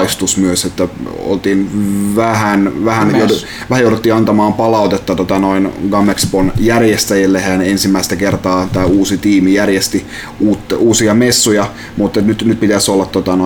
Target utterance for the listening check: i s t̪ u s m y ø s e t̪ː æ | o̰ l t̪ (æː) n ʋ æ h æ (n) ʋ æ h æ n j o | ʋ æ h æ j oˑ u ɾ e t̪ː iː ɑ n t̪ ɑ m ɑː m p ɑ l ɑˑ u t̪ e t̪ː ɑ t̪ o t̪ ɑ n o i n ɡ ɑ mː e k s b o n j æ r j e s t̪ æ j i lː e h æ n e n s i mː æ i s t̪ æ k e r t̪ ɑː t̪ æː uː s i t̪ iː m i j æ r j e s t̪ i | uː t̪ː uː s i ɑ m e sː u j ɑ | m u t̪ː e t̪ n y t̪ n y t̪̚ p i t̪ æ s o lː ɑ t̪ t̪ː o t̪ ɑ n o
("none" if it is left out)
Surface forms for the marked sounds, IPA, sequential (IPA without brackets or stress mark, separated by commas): iː, n